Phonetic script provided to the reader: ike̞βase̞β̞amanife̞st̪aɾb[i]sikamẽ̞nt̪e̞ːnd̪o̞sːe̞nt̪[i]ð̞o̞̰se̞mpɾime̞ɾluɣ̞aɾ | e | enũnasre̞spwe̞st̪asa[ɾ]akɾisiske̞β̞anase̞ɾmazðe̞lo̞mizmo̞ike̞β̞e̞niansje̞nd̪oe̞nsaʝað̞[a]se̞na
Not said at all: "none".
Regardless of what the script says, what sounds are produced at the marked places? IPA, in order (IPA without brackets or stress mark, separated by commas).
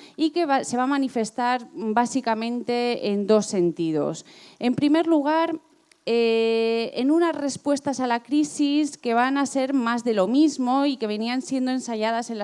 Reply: a, i, l, a